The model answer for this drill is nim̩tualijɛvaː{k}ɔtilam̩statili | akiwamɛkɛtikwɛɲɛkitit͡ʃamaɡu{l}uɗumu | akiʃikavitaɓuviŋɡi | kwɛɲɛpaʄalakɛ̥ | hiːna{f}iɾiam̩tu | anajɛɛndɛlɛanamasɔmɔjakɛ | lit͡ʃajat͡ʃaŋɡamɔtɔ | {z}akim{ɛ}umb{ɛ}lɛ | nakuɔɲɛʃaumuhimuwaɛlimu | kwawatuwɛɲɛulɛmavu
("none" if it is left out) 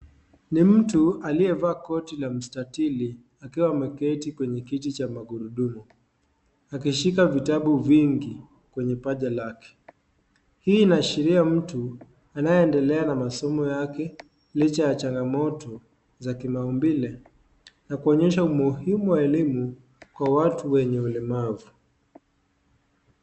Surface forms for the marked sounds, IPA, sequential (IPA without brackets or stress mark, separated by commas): k, ɾ, ʃ, z, a, i